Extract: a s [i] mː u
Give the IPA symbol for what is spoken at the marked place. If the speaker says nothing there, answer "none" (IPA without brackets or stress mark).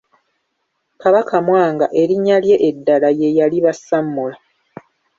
a